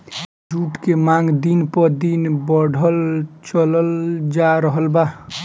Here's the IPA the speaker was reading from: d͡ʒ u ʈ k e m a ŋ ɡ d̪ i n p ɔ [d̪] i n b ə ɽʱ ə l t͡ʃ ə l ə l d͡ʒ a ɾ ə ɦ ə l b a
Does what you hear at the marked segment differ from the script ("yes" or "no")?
no